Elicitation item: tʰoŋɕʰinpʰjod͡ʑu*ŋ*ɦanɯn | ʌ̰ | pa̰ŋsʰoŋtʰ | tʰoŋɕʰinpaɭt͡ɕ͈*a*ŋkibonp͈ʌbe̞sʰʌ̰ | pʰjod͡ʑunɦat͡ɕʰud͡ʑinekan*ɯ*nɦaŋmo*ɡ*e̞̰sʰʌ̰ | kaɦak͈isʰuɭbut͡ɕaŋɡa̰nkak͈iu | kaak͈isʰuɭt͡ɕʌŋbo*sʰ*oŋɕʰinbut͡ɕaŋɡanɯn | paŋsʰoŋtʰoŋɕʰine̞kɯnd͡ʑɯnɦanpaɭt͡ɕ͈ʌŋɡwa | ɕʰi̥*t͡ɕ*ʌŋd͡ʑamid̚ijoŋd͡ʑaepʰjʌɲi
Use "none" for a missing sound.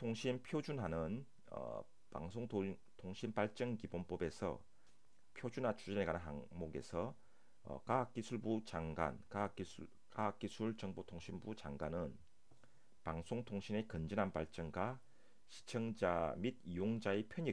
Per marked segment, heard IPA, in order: n, ʌ, ɯ, ɡ, tʰ, t͡ɕʰ

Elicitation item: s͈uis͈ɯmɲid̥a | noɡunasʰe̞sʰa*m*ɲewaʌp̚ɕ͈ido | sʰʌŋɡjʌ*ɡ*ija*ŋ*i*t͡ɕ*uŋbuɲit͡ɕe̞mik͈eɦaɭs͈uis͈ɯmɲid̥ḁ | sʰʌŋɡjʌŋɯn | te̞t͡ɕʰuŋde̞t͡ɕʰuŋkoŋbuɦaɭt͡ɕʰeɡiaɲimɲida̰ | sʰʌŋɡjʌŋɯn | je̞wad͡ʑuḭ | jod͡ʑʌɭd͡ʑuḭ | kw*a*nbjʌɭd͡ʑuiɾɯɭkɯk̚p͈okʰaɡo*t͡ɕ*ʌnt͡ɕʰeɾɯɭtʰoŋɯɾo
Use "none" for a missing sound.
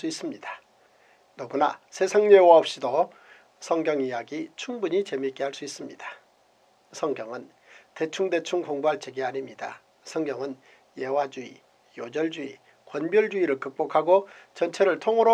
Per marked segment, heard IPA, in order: ŋ, ŋ, ɡ, t͡ɕʰ, ʌ, t͡ɕ

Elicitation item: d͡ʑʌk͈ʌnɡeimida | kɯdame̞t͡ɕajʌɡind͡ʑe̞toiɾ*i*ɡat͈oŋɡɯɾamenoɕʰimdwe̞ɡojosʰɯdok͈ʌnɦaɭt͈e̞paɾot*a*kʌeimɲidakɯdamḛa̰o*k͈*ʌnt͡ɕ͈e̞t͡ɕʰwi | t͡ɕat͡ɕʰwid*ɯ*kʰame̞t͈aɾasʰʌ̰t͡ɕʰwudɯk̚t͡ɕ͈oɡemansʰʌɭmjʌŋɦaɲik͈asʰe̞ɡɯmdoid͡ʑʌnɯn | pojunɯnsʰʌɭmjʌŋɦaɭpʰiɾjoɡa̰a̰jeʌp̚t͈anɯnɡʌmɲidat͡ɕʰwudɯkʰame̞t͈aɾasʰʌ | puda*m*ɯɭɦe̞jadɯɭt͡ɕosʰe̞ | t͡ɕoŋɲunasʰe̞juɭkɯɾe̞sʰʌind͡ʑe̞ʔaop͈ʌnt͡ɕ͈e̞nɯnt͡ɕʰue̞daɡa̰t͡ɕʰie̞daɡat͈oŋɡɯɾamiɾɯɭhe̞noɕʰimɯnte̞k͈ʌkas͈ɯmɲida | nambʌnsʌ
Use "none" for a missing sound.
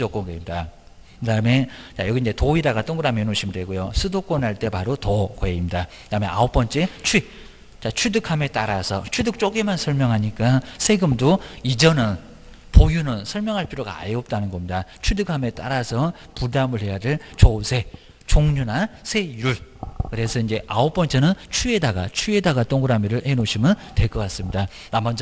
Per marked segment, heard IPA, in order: a, ʌ, p͈, ɯ, m

